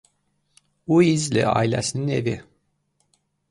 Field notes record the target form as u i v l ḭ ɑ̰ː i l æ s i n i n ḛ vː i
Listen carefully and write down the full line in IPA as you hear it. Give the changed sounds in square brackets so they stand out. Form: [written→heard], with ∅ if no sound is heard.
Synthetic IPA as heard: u i [v→z] l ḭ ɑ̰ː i l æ s i n i n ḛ [vː→v] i